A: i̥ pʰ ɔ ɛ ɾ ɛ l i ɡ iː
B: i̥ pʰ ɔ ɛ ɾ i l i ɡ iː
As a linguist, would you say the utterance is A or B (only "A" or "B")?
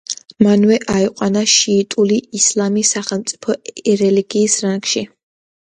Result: A